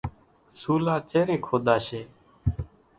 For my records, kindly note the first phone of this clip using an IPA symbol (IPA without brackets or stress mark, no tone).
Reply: s